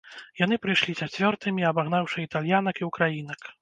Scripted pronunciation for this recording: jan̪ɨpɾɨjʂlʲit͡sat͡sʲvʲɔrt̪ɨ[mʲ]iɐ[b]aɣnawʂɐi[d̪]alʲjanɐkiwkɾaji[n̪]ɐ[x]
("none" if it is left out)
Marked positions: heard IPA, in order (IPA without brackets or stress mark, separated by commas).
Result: mʲ, b, t̪, n̪, k